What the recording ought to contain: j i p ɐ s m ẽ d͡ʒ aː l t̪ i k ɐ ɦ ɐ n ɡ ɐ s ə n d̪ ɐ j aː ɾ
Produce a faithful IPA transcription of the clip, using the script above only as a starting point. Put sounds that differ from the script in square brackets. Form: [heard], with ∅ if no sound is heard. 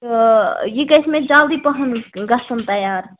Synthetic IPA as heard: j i [k] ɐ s m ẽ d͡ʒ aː l [d̪] i [p] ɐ ɦ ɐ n ɡ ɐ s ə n [t̪] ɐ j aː ɾ